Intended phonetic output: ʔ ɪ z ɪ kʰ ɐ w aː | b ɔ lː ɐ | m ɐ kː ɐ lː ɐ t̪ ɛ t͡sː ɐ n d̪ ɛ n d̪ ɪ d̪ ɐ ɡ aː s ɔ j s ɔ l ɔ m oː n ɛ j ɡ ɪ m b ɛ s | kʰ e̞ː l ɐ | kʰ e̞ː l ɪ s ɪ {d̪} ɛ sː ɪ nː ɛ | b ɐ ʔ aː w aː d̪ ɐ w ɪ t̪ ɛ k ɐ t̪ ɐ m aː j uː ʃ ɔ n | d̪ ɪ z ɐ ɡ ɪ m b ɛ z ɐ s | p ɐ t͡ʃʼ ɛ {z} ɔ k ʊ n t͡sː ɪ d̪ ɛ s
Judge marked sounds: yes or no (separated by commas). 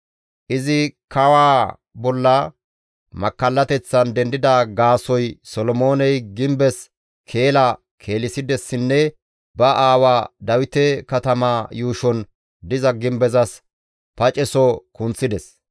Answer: yes, no